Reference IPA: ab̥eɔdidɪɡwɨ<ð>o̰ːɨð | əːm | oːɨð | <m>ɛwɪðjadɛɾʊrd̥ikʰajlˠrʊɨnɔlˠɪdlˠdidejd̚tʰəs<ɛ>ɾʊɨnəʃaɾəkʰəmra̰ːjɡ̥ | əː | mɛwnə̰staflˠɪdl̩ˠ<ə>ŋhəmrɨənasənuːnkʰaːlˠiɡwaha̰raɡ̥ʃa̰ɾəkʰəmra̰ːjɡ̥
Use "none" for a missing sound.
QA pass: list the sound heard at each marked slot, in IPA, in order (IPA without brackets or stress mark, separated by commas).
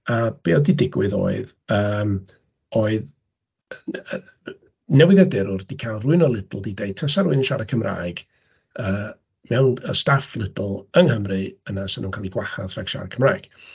ð, n, a, ə